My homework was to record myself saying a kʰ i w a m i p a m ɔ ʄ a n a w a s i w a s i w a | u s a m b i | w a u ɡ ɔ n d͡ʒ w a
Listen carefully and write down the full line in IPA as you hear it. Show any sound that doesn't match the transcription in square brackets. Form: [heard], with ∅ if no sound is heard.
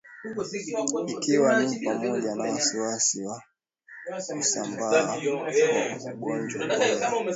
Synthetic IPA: [i] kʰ i w a [n] i p a m ɔ ʄ a n a w a s i w a s i w a | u s a m b [a] | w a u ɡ ɔ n d͡ʒ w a